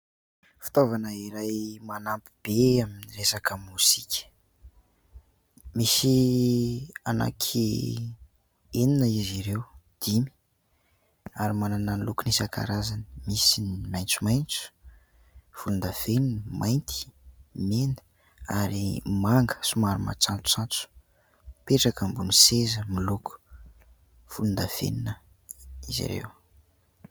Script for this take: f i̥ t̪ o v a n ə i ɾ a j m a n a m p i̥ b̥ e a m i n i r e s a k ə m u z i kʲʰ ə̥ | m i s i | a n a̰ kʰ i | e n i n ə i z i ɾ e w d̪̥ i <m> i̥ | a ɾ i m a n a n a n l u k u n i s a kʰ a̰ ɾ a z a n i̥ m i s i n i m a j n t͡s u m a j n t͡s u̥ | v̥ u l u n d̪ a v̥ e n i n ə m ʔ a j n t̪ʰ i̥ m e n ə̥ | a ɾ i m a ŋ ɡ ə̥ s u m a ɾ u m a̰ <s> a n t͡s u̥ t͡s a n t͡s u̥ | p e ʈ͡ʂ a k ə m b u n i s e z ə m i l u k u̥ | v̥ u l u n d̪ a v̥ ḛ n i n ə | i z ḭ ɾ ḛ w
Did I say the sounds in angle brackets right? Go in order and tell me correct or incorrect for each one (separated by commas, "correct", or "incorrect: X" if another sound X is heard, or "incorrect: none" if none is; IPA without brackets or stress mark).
correct, incorrect: t͡s